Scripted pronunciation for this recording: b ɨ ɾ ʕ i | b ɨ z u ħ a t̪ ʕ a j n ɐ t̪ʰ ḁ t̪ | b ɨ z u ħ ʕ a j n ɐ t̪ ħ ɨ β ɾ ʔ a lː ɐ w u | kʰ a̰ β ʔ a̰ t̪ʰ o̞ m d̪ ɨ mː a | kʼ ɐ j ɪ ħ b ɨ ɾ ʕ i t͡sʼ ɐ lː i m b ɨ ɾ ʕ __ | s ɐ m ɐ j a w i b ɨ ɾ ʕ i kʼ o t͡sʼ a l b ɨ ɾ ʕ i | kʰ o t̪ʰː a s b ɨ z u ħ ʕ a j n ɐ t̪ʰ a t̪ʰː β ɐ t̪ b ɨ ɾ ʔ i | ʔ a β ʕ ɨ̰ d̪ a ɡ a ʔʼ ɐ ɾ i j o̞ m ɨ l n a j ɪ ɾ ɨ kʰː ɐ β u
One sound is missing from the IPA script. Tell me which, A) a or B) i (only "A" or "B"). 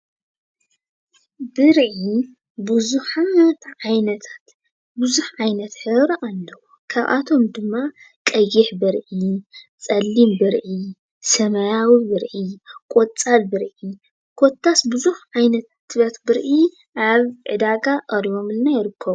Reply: B